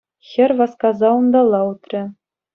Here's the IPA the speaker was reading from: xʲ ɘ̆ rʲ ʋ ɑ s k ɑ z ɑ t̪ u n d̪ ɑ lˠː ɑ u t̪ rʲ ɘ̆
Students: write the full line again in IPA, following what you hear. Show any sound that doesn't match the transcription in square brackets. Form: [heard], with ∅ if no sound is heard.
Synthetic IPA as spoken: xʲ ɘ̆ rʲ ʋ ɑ s k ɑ z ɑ [∅] u n d̪ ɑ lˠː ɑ u t̪ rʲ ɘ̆